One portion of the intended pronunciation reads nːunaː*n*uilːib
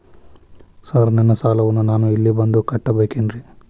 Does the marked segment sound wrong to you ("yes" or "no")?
no